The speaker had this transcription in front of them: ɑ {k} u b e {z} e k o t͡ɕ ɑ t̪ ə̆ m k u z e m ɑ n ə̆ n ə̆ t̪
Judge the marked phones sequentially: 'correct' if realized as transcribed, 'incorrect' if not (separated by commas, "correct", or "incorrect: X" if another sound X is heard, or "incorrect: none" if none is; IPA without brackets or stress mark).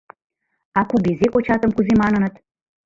correct, correct